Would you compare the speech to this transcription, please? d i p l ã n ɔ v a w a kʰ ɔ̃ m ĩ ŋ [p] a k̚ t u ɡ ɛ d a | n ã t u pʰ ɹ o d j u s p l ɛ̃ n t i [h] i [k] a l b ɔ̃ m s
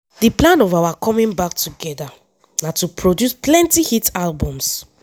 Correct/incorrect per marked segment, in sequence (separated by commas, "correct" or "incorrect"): incorrect, correct, incorrect